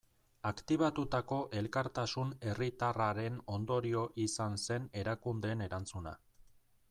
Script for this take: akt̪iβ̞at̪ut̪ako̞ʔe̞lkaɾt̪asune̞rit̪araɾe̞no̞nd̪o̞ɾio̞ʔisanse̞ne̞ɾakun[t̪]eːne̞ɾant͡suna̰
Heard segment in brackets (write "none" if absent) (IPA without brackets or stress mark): d̪